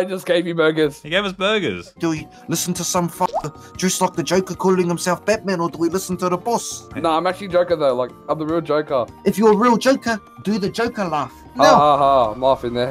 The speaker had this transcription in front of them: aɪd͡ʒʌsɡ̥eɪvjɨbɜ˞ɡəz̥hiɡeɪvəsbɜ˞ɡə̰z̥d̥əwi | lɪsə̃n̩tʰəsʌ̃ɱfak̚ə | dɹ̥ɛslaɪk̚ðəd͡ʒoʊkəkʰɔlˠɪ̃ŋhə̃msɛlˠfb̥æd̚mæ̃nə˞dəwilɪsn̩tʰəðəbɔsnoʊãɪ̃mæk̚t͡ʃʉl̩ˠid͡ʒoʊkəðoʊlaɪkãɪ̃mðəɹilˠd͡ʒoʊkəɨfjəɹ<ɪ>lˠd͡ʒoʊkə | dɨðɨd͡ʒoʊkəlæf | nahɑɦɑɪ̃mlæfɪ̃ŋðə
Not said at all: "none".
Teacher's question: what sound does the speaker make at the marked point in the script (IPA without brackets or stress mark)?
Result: i